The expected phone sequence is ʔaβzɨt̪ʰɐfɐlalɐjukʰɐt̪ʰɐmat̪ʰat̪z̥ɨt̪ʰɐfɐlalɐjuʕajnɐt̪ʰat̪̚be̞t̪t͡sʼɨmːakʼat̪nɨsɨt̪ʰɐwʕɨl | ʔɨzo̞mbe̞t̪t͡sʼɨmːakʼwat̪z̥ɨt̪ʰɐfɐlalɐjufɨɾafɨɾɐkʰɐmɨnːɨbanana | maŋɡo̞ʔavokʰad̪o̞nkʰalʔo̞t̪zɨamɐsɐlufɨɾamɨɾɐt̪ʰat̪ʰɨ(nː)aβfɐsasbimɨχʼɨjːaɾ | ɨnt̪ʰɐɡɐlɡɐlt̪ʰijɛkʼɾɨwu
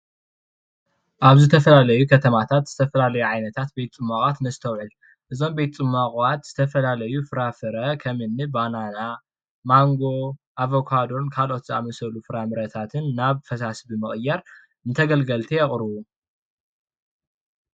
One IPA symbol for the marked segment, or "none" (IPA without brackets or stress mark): nː